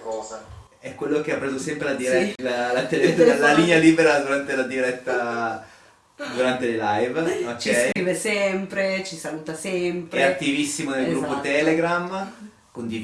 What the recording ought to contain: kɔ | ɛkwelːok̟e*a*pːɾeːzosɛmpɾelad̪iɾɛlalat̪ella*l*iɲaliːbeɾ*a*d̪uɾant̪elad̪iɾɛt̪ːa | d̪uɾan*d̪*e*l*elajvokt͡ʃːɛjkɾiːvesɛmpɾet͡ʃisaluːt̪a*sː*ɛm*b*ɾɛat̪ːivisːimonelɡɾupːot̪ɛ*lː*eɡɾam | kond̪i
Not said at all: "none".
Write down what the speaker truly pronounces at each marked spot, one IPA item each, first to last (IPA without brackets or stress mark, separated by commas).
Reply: a, l, a, t̪, l, s, p, l